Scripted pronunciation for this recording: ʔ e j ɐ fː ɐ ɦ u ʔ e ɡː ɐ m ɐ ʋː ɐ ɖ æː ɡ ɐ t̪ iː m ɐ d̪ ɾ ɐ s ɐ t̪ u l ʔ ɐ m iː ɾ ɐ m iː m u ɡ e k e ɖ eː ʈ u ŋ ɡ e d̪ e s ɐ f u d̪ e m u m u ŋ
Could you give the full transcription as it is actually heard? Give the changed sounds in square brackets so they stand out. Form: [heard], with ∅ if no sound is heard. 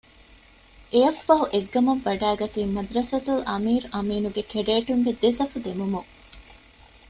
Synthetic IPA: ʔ e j ɐ fː ɐ ɦ u ʔ e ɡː ɐ m ɐ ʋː ɐ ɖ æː ɡ ɐ t̪ iː m ɐ d̪ ɾ ɐ s ɐ t̪ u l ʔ ɐ m iː ɾ ɐ m iː [n] u ɡ e k e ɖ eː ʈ u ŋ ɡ e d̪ e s ɐ f u d̪ e m u m u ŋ